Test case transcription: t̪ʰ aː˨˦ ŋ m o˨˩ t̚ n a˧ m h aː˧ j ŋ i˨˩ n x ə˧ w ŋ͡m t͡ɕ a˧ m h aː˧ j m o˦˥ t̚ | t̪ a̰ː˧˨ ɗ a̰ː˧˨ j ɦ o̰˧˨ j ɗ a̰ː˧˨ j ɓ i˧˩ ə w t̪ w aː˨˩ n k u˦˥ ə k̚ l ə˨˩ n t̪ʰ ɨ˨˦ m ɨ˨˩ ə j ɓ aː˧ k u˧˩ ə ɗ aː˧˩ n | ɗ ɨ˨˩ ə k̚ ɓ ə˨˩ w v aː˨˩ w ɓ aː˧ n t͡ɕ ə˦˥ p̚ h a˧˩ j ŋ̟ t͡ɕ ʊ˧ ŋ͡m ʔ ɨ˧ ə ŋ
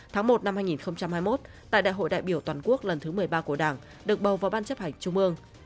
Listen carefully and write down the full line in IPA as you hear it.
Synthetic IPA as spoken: t̪ʰ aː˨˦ ŋ m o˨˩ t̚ n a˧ m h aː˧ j ŋ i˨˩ n x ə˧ w ŋ͡m t͡ɕ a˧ m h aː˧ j m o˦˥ t̚ | t̪ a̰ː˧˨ ɗ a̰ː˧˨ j ɦ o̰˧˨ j ɗ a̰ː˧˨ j ɓ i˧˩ ə w t̪ w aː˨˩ n k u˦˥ ə k̚ l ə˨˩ n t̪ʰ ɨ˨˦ m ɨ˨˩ ə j ɓ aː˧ k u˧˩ ə ɗ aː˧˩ ŋ | ɗ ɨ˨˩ ə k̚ ɓ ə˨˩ w v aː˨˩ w ɓ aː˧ n t͡ɕ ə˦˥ p̚ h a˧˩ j ŋ̟ t͡ɕ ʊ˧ ŋ͡m ʔ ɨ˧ ə ŋ

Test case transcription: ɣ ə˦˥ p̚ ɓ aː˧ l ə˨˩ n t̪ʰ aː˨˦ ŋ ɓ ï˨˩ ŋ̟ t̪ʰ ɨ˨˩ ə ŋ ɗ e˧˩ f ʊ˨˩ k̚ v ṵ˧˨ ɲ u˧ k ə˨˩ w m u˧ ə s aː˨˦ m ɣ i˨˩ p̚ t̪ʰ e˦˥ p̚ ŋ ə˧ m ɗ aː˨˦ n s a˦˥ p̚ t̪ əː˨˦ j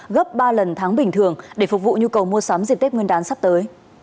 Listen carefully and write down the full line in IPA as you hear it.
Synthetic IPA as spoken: ɣ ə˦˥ p̚ ɓ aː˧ l ə˨˩ n t̪ʰ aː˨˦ ŋ ɓ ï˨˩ ŋ̟ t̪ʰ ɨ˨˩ ə ŋ ɗ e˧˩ f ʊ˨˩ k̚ v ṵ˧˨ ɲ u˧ k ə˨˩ w m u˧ ə s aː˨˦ m z i˨˩ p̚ t̪ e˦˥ p̚ ŋ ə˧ n ɗ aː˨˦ n s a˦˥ p̚ t̪ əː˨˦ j

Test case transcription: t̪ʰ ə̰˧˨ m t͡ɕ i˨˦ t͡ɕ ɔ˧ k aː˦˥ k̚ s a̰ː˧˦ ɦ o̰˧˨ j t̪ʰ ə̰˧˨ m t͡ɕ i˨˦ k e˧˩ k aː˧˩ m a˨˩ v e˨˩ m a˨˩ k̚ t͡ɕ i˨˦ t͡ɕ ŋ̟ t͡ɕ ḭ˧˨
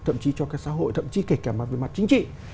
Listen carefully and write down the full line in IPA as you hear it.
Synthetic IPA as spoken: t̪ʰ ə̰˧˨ m t͡ɕ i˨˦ t͡ɕ ɔ˧ k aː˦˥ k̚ s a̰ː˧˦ ɦ o̰˧˨ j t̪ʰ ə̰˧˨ m t͡ɕ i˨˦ k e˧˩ k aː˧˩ m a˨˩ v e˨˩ m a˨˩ t̚ t͡ɕ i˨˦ ŋ̟ t͡ɕ ḭ˧˨

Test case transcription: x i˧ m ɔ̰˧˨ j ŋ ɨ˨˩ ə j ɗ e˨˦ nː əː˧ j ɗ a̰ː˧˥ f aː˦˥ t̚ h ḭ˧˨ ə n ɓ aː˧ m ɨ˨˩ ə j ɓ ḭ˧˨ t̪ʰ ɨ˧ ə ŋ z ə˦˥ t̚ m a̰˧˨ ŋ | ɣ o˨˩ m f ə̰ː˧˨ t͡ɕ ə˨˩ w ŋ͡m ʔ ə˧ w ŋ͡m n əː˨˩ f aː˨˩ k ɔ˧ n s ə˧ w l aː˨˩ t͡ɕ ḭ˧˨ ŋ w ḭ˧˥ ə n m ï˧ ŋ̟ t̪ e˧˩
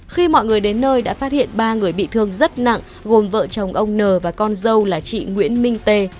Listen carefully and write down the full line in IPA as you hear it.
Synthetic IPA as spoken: x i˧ m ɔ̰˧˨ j ŋ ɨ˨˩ ə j ɗ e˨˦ nː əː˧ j ɗ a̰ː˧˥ f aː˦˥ t̚ h ḭ˧˨ ə n ɓ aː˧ ŋ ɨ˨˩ ə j ɓ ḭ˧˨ t̪ʰ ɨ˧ ə ŋ z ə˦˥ t̚ n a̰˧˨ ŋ | ɣ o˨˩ m v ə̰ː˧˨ t͡ɕ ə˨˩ w ŋ͡m ʔ ə˧ w ŋ͡m n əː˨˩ v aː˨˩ k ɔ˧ n z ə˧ w l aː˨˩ t͡ɕ ḭ˧˨ ŋ w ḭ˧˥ ə n m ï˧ ŋ̟ t̪ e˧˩

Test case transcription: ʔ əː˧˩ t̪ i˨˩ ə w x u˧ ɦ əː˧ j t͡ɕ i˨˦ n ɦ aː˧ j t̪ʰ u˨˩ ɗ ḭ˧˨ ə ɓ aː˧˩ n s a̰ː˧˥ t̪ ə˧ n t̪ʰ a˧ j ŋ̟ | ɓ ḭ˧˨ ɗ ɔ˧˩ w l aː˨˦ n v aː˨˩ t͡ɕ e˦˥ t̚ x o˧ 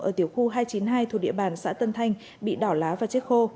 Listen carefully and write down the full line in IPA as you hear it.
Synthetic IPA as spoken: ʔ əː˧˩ t̪ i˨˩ ə w x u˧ ɦ aː˧ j t͡ɕ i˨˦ n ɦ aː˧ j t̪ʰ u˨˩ ɗ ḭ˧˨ ə ɓ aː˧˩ n s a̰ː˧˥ t̪ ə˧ n t̪ʰ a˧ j ŋ̟ | ɓ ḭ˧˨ ɗ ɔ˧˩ w l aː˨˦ v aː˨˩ t͡ɕ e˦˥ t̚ x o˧

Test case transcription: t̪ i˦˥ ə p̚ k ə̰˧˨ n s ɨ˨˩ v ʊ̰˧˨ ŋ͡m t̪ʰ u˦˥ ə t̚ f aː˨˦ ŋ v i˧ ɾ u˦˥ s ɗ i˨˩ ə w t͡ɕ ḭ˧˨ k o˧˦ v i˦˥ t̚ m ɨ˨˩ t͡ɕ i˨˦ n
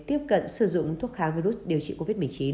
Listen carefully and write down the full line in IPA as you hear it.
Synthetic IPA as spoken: t̪ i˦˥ ə p̚ k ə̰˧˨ n s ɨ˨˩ z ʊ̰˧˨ ŋ͡m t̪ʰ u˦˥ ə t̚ x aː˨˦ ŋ v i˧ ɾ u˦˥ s ɗ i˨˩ ə w t͡ɕ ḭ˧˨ k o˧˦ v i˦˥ t̚ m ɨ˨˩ t͡ɕ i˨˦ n

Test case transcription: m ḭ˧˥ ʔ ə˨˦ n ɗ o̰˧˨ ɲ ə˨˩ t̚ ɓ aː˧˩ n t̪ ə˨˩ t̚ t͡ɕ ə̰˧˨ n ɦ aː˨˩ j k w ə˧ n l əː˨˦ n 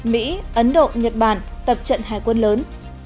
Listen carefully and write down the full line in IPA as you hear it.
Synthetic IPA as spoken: m ḭ˧˥ ʔ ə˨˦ n ɗ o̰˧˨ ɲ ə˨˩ t̚ ɓ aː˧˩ n t̪ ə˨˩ p̚ t͡ɕ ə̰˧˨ n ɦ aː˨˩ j k w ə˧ n l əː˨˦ n

